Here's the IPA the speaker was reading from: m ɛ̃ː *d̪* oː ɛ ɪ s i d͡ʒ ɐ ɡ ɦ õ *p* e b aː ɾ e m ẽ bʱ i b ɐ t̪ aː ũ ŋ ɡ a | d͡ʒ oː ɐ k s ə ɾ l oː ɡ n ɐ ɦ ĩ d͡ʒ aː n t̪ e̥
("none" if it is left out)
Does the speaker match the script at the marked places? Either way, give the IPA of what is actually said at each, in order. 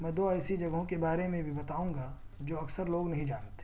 d̪, k

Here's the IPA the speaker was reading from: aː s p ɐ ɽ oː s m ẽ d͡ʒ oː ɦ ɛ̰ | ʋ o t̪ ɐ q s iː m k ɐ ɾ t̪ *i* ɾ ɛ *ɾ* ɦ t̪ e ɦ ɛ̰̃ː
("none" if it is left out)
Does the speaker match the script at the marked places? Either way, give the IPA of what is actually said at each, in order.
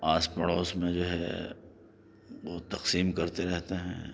e, none

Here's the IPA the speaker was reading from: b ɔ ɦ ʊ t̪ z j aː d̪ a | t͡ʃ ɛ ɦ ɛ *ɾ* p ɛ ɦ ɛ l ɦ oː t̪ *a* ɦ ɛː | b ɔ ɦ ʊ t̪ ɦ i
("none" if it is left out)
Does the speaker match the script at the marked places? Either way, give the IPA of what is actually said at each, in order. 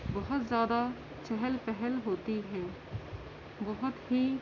l, i

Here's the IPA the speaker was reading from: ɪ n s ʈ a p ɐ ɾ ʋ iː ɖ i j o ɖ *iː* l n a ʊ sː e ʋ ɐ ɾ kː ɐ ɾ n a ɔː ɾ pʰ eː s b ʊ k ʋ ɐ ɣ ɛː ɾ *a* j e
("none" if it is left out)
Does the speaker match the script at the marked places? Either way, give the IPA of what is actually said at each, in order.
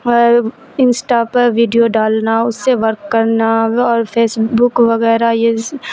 aː, a

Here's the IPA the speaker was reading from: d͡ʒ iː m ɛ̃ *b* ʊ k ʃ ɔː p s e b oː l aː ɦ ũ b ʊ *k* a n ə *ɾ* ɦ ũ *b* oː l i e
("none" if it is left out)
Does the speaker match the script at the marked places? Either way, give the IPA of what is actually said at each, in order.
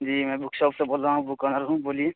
b, k, ɾ, b

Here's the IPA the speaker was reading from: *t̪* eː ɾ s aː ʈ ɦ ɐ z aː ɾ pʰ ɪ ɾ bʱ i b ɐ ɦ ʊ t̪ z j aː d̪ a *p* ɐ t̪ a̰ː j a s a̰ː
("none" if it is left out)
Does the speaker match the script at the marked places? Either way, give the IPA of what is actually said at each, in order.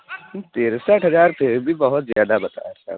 t̪, b

